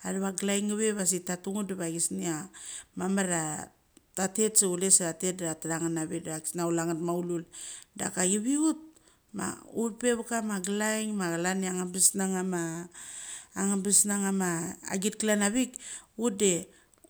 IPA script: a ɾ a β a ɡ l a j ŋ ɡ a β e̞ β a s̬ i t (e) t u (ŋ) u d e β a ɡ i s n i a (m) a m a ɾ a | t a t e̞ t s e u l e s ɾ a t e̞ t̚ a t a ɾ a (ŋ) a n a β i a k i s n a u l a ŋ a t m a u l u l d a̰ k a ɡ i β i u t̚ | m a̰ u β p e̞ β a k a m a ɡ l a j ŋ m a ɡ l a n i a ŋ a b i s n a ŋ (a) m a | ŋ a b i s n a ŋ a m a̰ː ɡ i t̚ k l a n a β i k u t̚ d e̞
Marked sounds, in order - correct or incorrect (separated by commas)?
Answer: incorrect, correct, correct, correct, correct